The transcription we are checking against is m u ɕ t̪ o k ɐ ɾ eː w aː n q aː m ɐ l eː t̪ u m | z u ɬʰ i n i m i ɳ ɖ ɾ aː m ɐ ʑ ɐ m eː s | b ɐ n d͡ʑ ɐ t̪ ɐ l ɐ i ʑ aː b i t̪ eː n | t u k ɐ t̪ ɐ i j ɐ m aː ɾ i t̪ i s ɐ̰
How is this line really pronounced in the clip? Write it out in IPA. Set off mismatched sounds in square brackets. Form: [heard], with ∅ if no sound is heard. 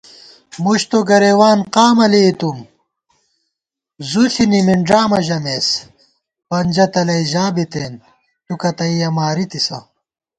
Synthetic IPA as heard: m u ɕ t̪ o [ɡ] ɐ ɾ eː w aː n q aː m ɐ l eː t̪ u m | z u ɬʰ i n i m i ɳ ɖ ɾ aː m ɐ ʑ ɐ m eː s | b ɐ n d͡ʑ ɐ t̪ ɐ l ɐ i ʑ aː b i t̪ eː n | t u k ɐ t̪ ɐ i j ɐ m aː ɾ i t̪ i s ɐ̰